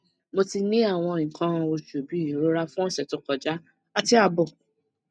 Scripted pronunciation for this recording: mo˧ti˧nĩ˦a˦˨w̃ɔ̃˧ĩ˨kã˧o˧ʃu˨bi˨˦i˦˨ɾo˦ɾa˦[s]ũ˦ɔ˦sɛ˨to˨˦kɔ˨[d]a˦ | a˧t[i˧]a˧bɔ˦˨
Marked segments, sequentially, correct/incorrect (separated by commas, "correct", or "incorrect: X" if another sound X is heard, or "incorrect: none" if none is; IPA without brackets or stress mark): incorrect: f, incorrect: d͡ʒ, correct